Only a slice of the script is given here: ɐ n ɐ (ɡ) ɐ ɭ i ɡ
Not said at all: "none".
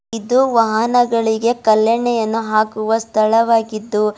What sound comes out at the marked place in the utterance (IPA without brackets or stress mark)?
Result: ɡ